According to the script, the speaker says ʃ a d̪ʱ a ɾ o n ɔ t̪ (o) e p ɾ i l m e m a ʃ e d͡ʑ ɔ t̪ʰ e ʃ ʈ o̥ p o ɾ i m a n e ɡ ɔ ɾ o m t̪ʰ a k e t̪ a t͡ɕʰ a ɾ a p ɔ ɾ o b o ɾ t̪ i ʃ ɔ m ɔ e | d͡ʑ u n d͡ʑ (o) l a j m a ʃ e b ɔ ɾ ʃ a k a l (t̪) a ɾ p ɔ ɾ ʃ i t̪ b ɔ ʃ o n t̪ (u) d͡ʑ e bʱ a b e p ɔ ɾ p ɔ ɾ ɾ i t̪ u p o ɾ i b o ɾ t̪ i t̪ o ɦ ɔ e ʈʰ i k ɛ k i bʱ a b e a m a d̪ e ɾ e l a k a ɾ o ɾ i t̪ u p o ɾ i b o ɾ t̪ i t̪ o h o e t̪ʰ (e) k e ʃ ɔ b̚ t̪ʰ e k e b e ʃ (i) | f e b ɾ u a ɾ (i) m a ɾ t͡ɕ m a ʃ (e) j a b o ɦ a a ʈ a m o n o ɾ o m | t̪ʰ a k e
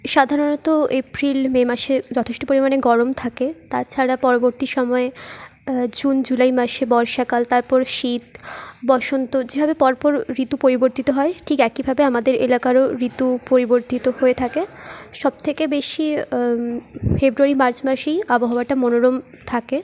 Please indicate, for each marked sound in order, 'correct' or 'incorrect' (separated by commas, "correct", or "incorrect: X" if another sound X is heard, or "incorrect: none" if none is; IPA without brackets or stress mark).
correct, incorrect: u, correct, incorrect: o, incorrect: a, correct, correct, correct